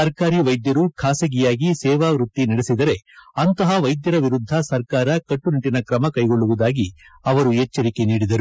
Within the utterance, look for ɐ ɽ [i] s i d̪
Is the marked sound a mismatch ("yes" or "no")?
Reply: yes